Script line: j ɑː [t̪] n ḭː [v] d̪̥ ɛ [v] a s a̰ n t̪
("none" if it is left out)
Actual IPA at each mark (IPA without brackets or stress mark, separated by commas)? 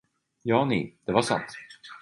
none, none, v